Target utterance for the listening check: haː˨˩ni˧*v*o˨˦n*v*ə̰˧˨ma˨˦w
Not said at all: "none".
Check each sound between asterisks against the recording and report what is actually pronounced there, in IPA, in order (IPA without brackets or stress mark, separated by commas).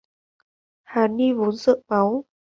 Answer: v, z